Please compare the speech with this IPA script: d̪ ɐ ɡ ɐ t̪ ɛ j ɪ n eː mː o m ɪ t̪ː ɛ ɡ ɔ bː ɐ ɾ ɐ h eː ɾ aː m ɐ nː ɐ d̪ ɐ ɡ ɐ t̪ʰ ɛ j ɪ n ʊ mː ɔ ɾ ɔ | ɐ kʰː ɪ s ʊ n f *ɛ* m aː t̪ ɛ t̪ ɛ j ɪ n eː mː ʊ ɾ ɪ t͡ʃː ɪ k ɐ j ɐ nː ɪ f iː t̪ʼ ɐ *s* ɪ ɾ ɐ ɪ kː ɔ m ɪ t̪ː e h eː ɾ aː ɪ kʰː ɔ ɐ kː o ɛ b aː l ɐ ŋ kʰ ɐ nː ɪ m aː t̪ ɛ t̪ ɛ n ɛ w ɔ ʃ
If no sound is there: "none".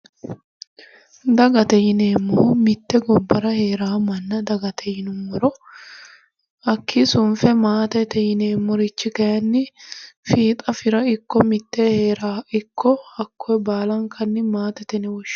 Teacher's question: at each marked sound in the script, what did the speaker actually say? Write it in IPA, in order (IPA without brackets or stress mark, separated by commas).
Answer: ɛ, f